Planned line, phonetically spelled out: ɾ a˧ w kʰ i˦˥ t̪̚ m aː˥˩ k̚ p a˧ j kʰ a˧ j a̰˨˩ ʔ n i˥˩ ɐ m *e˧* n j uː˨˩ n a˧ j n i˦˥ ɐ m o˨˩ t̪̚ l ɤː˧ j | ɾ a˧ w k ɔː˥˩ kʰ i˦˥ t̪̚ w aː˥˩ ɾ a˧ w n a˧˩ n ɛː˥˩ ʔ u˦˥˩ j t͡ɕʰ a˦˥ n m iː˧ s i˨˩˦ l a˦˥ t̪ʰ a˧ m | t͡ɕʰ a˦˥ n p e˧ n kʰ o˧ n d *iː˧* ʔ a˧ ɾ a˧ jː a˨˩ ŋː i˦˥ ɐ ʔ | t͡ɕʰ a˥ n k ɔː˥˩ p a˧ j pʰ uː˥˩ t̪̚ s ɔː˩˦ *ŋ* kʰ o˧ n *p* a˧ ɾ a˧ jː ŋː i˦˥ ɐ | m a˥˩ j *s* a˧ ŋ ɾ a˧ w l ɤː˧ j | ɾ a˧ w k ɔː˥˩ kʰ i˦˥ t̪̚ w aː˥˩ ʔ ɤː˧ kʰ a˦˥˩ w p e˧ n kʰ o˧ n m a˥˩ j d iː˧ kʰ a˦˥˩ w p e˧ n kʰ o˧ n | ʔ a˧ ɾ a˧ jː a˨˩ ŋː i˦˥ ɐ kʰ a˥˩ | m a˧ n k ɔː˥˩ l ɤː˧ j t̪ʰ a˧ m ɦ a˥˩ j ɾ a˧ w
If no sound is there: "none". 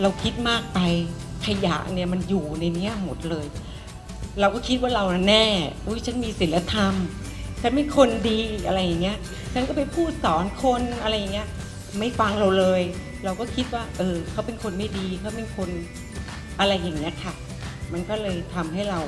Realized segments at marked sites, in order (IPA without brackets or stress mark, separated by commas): a˧, iː˧, n, ʔ, f